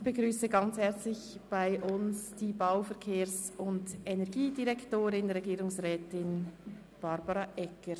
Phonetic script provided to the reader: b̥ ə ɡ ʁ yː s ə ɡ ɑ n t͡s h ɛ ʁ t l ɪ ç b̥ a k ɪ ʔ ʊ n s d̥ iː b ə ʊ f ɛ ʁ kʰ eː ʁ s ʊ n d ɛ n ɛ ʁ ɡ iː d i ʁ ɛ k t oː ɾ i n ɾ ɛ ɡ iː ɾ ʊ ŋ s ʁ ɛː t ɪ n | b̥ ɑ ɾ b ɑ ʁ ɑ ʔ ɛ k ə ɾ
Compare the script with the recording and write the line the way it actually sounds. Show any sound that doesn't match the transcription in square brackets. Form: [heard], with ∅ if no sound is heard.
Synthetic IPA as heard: b̥ ə ɡ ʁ yː s ə ɡ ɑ n t͡s h ɛ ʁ [t͡s] l ɪ ç b̥ a [∅] ɪ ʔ ʊ n s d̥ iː b [a] ʊ f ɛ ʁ kʰ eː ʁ s ʊ n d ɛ n ɛ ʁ ɡ iː d i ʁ ɛ k t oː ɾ [ɪ] n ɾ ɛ ɡ iː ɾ ʊ ŋ s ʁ ɛː t ɪ n | b̥ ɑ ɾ b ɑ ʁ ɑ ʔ ɛ k ə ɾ

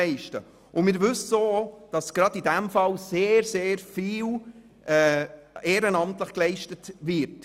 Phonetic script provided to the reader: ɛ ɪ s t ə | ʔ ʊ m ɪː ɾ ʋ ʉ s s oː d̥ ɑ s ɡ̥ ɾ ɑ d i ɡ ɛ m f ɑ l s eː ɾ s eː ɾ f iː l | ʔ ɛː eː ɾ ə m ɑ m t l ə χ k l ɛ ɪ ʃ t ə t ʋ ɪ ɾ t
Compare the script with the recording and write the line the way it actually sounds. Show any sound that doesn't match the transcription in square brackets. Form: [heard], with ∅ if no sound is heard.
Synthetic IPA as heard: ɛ ɪ [ʃ] t ə | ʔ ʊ m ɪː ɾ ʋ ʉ s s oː d̥ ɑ s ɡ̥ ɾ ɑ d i [d] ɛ m f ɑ l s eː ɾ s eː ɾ f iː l | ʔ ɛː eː ɾ ə [n] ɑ m t l ə χ k l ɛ ɪ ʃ t ə t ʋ ɪ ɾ t

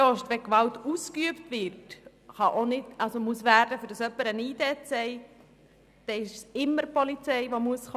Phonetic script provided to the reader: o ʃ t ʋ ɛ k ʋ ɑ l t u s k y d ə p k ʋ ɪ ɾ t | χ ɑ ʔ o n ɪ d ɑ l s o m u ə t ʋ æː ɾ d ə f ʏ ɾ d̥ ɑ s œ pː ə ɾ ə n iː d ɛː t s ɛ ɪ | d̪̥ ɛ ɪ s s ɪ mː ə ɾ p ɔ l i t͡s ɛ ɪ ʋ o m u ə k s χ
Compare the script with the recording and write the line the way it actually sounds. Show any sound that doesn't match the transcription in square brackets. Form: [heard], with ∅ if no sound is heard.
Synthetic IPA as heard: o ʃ t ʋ ɛ k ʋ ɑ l t u s k y [∅] ə p [t] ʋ ɪ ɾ t | χ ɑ ʔ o n ɪ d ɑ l s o m u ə [s] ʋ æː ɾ d ə f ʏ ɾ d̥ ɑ s œ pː ə ɾ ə n iː d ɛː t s ɛ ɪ | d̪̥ ɛ ɪ [ʃ] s ɪ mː ə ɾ p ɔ l i t͡s ɛ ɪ ʋ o m u ə [∅] s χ

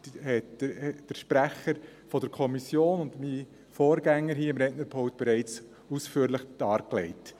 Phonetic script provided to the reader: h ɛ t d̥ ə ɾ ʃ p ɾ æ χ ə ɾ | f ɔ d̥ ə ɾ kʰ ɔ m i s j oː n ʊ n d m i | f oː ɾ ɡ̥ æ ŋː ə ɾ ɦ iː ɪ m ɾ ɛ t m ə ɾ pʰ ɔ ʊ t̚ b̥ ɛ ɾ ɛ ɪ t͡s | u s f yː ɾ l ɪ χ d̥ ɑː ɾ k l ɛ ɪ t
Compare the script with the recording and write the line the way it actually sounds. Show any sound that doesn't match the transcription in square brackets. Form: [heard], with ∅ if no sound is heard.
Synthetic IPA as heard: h ɛ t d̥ ə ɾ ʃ p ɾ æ χ ə ɾ | f ɔ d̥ ə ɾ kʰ ɔ m i s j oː n ʊ n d m i | f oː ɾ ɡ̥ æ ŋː ə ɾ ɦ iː ɪ m ɾ ɛ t [n] ə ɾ pʰ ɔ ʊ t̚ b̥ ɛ ɾ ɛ ɪ t͡s | u s f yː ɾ l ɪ χ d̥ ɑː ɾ k l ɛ ɪ t

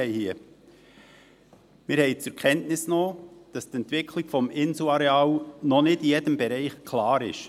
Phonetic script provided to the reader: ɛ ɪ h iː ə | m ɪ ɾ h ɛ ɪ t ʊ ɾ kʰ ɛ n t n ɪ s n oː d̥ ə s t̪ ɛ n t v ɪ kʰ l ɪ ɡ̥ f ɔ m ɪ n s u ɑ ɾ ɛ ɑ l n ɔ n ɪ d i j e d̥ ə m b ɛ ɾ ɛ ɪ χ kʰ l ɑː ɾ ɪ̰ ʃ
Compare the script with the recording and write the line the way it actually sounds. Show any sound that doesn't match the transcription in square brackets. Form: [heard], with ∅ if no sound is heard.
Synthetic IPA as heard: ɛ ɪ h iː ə | m ɪ ɾ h ɛ ɪ [t͡s] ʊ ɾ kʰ ɛ n t n ɪ s n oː d̥ [ɑ] s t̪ ɛ n t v ɪ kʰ l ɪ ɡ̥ f ɔ m ɪ n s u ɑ ɾ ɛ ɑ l n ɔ n ɪ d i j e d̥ ə m b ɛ ɾ ɛ ɪ χ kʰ l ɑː ɾ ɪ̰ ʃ

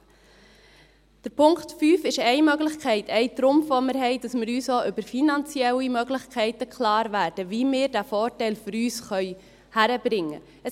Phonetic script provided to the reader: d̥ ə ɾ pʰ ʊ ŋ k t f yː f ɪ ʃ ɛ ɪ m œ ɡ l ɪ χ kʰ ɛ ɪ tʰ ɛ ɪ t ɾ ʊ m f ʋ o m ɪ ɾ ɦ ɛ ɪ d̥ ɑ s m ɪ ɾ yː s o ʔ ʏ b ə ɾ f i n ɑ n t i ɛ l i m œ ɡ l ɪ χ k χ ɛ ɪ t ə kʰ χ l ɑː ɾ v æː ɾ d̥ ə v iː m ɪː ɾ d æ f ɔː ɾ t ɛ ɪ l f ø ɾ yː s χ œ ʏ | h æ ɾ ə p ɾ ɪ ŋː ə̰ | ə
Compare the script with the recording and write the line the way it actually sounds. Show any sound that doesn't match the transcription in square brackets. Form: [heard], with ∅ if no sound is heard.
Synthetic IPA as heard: d̥ ə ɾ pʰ ʊ ŋ k t f yː f ɪ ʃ ɛ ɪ m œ ɡ l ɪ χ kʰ ɛ ɪ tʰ ɛ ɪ t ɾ ʊ m f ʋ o m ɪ ɾ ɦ ɛ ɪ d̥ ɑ s m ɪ ɾ yː s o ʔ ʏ b ə ɾ f i n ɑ n [t͡s] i ɛ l i m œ ɡ l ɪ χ k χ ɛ ɪ t ə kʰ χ l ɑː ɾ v æː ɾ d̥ ə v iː m ɪː ɾ d æ f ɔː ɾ t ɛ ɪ l f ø ɾ yː s χ œ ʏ | h æ ɾ ə [b] ɾ ɪ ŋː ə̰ | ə

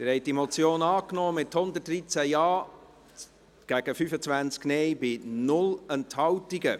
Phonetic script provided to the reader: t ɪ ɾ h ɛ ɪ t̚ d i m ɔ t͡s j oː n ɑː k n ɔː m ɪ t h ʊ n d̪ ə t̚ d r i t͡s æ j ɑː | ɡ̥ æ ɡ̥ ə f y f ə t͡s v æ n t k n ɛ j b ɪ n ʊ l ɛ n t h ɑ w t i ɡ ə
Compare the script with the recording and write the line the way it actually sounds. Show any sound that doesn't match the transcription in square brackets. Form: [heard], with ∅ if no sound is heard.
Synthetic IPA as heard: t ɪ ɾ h ɛ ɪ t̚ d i m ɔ t͡s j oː n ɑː k n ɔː m ɪ t h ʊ n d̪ ə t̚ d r i t͡s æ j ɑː | ɡ̥ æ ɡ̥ ə f y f ə t͡s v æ n [t͡s] k n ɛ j b ɪ n ʊ l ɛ n t h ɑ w t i ɡ ə

